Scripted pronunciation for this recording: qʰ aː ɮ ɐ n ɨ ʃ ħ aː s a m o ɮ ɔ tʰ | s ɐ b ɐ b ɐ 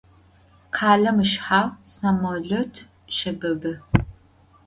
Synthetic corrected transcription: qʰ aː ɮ ɐ m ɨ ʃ ħ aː s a m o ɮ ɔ tʰ | ʃ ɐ b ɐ b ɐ

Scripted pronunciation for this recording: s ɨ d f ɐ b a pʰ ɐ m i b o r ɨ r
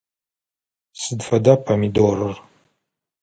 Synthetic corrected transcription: s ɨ d f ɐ d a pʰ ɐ m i d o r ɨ r

